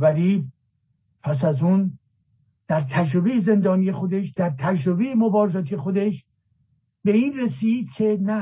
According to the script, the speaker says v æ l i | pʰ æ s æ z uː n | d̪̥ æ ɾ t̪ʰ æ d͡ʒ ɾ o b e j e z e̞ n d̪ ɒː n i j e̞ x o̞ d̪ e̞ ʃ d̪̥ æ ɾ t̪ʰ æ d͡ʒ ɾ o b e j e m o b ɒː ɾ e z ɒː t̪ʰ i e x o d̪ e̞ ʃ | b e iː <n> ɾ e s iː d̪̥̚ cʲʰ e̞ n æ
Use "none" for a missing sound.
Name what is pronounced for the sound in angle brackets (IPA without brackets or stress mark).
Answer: n